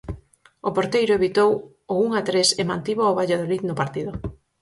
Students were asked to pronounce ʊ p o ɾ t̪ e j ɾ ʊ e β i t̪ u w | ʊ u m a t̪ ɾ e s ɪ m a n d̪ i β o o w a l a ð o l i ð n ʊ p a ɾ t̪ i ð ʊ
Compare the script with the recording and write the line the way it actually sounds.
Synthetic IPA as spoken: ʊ p o ɾ t̪ e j ɾ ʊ e β i t̪ o w | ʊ u ŋ a t̪ ɾ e s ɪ m a n t̪ i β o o β a ʎ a ð o l i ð n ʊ p a ɾ t̪ i ð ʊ